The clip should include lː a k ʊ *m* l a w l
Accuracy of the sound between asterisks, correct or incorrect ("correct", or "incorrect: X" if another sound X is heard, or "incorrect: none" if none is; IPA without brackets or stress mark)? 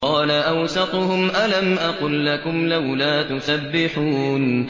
correct